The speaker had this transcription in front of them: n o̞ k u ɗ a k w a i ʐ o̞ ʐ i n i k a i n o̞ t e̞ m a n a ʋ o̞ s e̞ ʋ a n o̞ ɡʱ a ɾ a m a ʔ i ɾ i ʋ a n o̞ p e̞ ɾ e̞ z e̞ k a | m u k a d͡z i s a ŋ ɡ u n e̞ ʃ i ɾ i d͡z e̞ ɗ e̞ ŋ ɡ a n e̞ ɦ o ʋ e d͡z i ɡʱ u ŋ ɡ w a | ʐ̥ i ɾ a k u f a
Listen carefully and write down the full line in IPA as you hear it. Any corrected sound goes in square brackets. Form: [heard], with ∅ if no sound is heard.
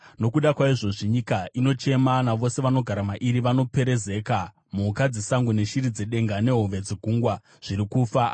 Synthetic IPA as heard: n o̞ k u ɗ a k w a i ʐ o̞ ʐ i [ɲ] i k a i n o̞ [t͡ʃ] e̞ m a n a ʋ o̞ s e̞ ʋ a n o̞ ɡʱ a ɾ a m a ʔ i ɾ i ʋ a n o̞ p e̞ ɾ e̞ z e̞ k a | m u k a d͡z i s a ŋ ɡ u n e̞ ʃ i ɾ i d͡z e̞ ɗ e̞ ŋ ɡ a n e̞ ɦ o ʋ e d͡z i ɡʱ u ŋ ɡ w a | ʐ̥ i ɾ [i] k u f a

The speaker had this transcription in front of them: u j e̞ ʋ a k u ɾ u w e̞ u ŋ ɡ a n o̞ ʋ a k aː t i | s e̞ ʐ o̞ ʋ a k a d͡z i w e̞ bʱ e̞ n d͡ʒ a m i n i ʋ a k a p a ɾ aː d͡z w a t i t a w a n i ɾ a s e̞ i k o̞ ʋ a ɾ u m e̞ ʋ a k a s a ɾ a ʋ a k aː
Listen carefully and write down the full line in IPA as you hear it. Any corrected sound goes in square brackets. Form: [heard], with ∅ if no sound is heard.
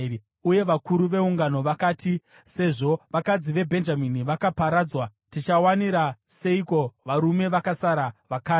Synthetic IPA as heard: u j e̞ ʋ a k u ɾ u [ʋ] e̞ u ŋ ɡ a n o̞ ʋ a k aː t i | s e̞ ʐ o̞ ʋ a k a d͡z i [ʋ] e̞ bʱ e̞ n d͡ʒ a m i n i ʋ a k a p a ɾ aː d͡z w a t i [t͡ʃ] a w a n i ɾ a s e̞ i k o̞ ʋ a ɾ u m e̞ ʋ a k a s a ɾ a ʋ a k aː

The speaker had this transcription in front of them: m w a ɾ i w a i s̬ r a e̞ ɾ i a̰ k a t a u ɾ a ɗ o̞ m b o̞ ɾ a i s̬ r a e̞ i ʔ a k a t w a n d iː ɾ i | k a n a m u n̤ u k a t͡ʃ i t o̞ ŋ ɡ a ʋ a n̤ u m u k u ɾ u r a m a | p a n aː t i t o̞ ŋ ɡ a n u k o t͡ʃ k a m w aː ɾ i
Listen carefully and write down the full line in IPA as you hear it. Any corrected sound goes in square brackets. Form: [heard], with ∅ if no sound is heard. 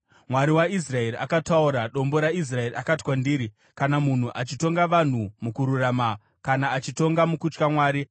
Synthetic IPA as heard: m w a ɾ i w a i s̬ r a e̞ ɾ i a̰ k a t a u ɾ a ɗ o̞ m b o̞ ɾ a i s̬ r a e̞ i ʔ a k a t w a n d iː ɾ i | k a n a m u n̤ u [ʔ] a t͡ʃ i t o̞ ŋ ɡ a ʋ a n̤ u m u k u ɾ u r a m a | [k] a n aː [t͡ʃ] i t o̞ ŋ ɡ a [m] u k [u] t͡ʃ k a m w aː ɾ i

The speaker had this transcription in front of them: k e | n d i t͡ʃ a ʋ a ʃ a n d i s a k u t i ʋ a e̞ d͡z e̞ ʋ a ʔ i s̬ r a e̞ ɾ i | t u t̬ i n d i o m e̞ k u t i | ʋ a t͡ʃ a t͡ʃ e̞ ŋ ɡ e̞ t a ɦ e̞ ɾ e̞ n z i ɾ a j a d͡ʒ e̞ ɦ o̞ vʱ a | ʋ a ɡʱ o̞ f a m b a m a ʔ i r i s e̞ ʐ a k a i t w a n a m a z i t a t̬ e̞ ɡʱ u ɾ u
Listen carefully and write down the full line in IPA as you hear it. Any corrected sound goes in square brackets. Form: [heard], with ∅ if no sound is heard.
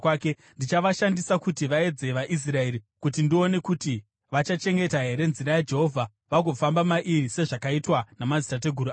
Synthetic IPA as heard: k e | n d i t͡ʃ a ʋ a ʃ a n d i s a k u t i ʋ a e̞ d͡z e̞ ʋ a ʔ i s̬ r a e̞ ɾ i | [k] u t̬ i n d i o [n] e̞ k u t i | ʋ a t͡ʃ a t͡ʃ e̞ ŋ ɡ e̞ t a ɦ e̞ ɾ e̞ n z i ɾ a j a d͡ʒ e̞ ɦ o̞ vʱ a | ʋ a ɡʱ o̞ f a m b a m a ʔ i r i s e̞ ʐ a k a i t w a n a m a z i t a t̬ e̞ ɡʱ u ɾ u

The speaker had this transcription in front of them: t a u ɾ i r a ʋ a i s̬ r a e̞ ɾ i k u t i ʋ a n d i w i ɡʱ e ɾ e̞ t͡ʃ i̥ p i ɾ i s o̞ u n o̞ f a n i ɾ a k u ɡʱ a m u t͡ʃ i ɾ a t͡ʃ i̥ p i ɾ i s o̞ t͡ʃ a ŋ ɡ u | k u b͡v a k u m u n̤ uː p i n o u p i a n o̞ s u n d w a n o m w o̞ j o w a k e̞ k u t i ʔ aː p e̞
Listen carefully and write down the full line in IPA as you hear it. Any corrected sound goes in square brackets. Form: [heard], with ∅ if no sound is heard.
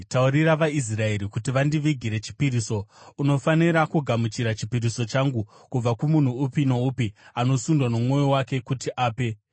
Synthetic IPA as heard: t a u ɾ i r a ʋ a i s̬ r a e̞ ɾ i k u t i ʋ a n d i [ʋ] i ɡʱ [i] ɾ e̞ t͡ʃ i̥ p i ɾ i s o̞ u n o̞ f a n i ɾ a k u ɡʱ a m u t͡ʃ i ɾ a t͡ʃ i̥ p i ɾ i s o̞ t͡ʃ a ŋ ɡ u | k u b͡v a k u m u n̤ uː p i n o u p i a n o̞ s u n d w a n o m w o̞ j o w a k e̞ k u t i ʔ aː p e̞

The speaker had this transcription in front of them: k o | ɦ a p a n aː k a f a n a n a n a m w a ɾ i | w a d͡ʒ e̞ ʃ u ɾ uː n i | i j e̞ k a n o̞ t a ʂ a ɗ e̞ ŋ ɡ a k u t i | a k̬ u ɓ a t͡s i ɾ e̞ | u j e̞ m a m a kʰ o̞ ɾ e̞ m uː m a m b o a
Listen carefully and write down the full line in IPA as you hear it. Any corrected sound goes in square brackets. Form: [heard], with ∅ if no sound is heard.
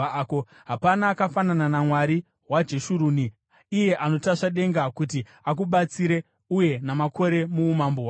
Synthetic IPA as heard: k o | ɦ a p a n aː k a f a n a n a n a m w a ɾ i | w a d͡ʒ e̞ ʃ u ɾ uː n i | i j e̞ [ʔ] a n o̞ t a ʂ a ɗ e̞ ŋ ɡ a k u t i | a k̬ u ɓ a t͡s i ɾ e̞ | u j e̞ [n] a m a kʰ o̞ ɾ e̞ m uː m a m b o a

